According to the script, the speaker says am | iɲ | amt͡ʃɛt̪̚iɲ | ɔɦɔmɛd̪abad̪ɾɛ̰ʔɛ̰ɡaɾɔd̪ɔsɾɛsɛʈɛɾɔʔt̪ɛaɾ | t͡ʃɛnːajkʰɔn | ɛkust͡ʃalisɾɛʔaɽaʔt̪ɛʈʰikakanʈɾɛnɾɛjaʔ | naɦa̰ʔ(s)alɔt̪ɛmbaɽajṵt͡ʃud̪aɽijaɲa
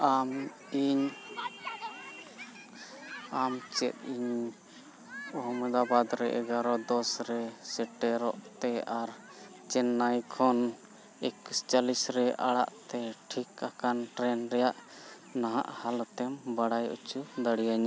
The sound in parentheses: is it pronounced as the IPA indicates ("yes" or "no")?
no